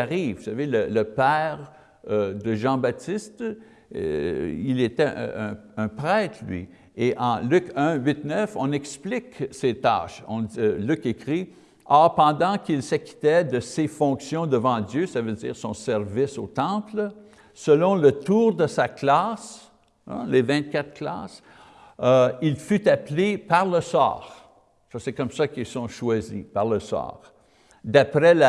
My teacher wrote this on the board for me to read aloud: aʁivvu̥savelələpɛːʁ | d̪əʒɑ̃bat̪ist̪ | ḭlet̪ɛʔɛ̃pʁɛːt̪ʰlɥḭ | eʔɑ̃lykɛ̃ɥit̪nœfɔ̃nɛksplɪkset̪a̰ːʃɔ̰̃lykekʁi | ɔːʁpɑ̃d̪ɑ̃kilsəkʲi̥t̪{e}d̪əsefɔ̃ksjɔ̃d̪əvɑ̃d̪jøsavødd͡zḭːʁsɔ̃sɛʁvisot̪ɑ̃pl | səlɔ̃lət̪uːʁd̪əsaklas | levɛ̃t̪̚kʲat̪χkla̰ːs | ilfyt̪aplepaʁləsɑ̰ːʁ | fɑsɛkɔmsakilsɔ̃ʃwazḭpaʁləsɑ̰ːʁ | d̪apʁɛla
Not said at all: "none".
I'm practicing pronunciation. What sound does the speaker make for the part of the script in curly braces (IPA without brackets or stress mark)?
ɛ